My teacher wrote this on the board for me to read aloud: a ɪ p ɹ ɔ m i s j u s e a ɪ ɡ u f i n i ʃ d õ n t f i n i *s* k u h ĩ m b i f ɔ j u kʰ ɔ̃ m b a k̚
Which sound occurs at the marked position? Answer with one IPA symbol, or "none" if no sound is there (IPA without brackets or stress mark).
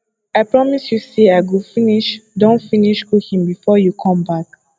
ʃ